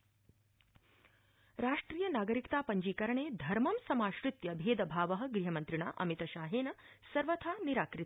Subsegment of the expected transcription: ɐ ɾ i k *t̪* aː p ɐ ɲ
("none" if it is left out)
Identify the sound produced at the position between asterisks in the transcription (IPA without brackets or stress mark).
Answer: t̪